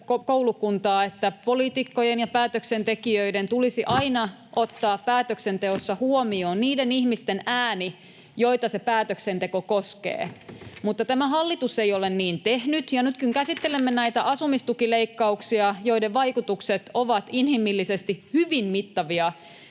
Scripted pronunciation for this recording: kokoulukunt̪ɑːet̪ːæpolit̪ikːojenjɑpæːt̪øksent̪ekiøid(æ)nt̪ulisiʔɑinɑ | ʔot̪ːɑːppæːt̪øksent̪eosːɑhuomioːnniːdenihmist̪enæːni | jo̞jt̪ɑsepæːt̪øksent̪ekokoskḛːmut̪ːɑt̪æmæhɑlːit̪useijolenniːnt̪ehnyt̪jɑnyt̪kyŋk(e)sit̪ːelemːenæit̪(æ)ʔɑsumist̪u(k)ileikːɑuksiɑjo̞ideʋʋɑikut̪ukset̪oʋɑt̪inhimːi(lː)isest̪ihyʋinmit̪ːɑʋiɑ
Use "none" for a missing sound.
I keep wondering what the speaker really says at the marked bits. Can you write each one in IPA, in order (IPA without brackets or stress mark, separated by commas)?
e, æ, æ, k, lː